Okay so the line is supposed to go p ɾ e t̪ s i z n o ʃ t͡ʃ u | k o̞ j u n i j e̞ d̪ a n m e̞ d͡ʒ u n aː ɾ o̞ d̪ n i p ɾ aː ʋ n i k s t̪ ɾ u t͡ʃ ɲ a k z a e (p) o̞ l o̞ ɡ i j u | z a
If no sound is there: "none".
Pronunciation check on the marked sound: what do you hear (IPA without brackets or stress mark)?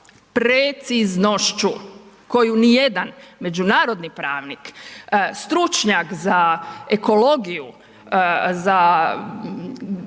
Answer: k